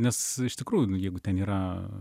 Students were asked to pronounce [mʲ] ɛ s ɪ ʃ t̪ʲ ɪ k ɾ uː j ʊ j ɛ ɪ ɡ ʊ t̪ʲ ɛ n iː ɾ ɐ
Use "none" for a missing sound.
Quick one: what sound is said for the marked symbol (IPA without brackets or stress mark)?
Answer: nʲ